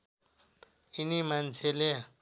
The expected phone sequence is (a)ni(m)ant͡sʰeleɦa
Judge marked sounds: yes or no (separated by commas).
no, yes